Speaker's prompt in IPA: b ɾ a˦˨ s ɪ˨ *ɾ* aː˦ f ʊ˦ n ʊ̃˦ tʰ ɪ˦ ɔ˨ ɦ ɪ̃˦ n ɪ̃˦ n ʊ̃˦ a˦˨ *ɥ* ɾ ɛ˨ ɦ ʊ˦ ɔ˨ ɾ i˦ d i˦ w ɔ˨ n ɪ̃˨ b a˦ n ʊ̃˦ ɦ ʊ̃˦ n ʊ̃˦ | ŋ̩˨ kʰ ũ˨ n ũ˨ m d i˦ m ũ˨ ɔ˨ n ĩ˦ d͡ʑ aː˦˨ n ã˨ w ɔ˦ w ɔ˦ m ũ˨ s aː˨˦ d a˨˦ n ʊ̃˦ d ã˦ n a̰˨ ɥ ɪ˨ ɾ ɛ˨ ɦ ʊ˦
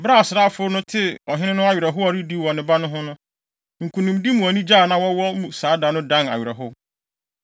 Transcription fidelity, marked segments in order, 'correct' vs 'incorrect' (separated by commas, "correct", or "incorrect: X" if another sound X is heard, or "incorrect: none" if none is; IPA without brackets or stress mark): correct, correct